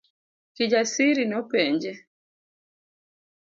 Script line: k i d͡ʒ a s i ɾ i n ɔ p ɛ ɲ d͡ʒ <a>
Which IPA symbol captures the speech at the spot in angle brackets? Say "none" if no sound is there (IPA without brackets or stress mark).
ɛ